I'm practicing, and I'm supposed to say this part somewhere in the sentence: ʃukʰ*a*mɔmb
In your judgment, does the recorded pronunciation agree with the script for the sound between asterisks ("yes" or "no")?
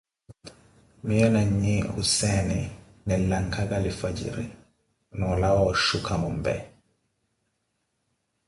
yes